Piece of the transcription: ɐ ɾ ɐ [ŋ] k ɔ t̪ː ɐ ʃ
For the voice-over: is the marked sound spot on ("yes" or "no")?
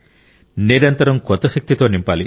no